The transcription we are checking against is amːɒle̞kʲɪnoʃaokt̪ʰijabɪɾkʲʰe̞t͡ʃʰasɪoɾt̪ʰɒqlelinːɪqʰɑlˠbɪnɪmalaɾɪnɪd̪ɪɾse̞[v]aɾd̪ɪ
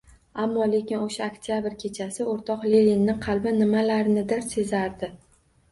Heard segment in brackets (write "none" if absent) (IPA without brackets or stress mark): z